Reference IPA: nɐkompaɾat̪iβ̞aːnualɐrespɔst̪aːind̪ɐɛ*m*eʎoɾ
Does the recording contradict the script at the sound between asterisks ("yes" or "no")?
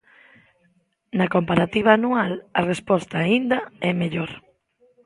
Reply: no